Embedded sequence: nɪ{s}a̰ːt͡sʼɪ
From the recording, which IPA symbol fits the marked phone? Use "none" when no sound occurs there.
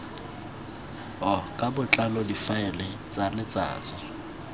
t͡s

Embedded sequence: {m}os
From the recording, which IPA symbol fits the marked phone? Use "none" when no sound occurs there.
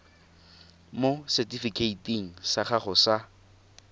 m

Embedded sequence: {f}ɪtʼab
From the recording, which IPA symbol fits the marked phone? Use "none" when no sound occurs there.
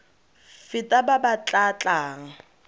f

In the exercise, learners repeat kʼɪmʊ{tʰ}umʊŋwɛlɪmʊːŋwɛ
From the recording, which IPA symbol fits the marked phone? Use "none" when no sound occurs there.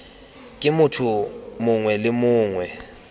tʰ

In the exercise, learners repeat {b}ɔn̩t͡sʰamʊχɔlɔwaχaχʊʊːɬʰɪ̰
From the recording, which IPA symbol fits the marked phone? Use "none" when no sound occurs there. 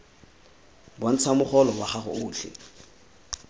b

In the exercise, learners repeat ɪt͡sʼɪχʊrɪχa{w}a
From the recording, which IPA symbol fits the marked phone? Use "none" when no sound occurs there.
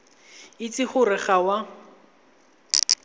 w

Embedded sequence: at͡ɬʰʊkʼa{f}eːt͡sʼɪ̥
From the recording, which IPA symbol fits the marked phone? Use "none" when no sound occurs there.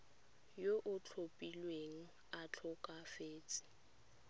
f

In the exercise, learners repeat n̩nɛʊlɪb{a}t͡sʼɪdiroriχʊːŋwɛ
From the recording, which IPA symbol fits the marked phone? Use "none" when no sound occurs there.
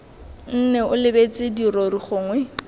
e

